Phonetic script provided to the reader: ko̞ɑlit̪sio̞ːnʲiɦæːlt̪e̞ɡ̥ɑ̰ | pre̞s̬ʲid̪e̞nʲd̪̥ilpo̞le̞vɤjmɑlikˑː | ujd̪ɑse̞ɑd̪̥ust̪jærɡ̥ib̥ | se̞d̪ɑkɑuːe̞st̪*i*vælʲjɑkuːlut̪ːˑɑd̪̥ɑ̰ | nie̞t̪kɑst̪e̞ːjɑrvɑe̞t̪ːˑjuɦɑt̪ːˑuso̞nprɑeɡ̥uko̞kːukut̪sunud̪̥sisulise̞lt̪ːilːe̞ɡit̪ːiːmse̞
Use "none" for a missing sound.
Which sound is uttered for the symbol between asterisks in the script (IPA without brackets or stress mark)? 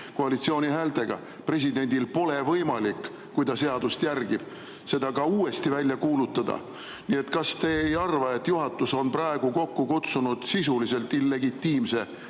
i